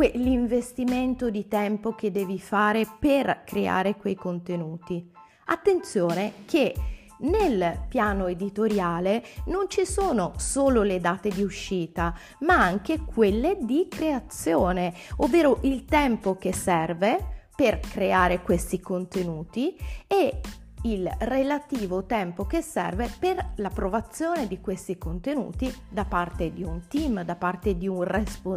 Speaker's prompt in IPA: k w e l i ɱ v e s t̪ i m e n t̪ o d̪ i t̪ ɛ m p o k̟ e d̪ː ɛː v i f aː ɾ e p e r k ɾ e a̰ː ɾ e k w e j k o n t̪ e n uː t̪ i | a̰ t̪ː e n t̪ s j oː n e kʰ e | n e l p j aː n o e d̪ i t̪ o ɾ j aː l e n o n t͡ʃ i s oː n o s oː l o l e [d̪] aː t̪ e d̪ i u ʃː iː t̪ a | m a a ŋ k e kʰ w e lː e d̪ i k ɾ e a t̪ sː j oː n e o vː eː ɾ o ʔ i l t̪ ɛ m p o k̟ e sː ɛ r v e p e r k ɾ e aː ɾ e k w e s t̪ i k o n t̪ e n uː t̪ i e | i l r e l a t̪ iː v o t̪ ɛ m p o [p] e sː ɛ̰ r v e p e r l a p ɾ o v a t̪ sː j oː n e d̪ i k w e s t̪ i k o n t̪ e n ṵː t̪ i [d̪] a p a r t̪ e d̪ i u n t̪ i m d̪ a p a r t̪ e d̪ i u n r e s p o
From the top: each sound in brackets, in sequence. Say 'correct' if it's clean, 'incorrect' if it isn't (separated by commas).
correct, incorrect, correct